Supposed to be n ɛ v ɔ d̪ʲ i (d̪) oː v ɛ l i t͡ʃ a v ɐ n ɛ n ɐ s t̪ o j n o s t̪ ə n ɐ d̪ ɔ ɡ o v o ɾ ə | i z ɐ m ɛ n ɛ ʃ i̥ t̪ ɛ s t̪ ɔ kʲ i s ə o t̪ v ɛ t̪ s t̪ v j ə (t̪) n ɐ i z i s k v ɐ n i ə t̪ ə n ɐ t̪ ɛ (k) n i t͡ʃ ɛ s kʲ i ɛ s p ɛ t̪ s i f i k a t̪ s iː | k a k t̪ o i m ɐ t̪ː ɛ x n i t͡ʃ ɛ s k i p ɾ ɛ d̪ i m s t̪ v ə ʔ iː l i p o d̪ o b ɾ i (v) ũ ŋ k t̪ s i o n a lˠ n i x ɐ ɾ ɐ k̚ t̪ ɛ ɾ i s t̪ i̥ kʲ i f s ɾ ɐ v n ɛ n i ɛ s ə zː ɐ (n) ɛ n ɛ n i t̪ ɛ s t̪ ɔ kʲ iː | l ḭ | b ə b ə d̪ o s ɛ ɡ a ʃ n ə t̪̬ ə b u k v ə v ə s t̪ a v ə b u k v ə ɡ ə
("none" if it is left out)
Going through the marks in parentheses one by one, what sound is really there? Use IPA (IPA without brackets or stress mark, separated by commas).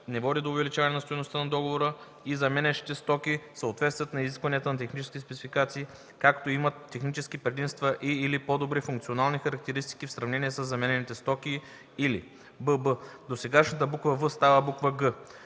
d̪, t̪, x, f, m